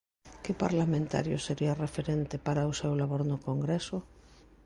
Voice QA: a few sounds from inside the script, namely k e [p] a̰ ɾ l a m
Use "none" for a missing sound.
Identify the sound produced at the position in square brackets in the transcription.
p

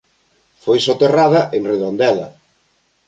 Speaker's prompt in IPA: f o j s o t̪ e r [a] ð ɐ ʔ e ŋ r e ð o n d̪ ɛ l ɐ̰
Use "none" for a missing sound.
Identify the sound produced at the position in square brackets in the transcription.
a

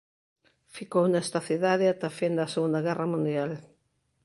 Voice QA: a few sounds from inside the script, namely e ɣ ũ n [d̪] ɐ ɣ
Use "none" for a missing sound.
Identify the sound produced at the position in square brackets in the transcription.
d̪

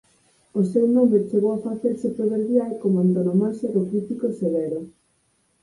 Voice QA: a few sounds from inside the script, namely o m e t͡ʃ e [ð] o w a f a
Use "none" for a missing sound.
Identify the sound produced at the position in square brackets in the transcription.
ɣ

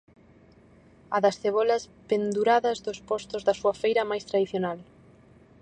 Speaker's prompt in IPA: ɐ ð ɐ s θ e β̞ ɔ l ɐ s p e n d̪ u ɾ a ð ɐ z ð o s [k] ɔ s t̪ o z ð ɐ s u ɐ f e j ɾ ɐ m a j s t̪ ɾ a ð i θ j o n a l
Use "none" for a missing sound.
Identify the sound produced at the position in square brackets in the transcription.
p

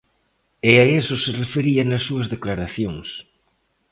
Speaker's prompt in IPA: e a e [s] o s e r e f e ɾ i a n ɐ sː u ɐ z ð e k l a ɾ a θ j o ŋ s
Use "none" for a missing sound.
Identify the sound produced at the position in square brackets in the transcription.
s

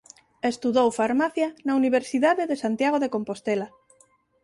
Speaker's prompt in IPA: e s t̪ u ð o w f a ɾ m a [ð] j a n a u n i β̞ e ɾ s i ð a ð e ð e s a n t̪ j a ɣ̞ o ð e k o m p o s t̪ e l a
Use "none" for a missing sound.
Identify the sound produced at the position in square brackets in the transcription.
θ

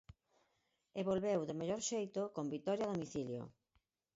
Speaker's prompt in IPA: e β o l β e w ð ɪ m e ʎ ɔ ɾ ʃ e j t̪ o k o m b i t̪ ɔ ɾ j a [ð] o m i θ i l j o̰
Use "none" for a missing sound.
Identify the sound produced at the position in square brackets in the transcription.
ð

